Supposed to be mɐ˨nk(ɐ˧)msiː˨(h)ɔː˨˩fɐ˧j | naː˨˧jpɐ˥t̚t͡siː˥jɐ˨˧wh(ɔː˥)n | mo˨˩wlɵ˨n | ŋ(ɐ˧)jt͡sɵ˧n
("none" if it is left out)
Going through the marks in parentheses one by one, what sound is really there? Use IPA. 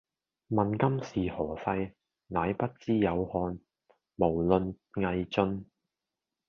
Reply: ɐ˥, h, ɔː˧, ɐ˧

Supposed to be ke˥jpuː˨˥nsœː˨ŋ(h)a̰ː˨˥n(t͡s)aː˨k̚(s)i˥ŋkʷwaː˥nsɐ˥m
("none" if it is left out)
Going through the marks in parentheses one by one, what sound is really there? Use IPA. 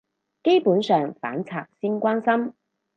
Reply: f, t͡sʰ, s

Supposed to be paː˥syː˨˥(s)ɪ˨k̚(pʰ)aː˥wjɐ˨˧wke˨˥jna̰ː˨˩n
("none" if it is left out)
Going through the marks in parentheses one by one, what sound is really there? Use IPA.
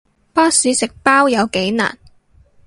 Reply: s, p

